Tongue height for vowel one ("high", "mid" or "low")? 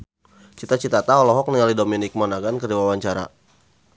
high